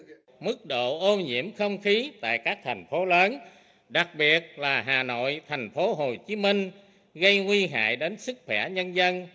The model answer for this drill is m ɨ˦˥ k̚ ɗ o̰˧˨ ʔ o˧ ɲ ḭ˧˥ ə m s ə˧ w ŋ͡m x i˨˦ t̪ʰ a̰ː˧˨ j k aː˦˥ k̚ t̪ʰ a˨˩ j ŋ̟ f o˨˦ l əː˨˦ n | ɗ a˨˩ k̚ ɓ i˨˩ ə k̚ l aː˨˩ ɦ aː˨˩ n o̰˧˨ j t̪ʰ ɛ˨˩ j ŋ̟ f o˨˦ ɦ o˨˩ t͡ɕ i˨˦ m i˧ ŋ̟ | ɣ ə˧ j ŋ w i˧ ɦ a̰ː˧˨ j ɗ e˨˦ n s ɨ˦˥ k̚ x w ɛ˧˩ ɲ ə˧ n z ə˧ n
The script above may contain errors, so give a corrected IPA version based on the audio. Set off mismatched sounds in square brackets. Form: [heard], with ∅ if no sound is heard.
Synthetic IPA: m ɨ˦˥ k̚ ɗ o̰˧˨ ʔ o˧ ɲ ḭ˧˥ ə m [x] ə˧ w ŋ͡m x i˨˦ [t̪] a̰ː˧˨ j k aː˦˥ k̚ t̪ʰ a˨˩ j ŋ̟ f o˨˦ l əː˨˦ n | ɗ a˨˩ k̚ ɓ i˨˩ ə [t̚] l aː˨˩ ɦ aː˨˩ n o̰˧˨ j t̪ʰ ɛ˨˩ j ŋ̟ f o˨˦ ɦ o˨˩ t͡ɕ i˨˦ m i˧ ŋ̟ | ɣ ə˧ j ŋ w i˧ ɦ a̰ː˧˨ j ɗ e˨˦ n s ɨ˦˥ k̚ x w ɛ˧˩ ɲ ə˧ n z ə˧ n